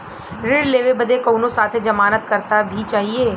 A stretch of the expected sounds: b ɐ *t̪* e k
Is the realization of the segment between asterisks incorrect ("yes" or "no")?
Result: yes